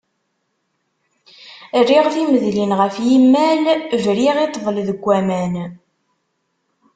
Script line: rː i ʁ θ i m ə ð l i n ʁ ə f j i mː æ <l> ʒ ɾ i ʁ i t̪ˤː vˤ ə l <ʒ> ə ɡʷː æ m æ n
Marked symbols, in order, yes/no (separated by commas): yes, no